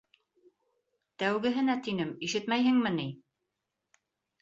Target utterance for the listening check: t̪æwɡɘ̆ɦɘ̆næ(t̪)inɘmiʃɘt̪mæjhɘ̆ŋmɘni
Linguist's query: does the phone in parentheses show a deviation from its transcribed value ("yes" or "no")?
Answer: no